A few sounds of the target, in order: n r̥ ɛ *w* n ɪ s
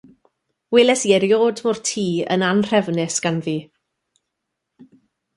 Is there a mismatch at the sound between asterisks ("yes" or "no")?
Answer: yes